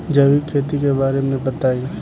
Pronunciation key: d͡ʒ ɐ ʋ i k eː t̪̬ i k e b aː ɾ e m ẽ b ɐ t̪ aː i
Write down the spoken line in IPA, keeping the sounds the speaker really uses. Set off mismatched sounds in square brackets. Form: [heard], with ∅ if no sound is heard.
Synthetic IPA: d͡ʒ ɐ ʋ i [kʰ] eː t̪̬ i k e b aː ɾ e m ẽ b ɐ t̪ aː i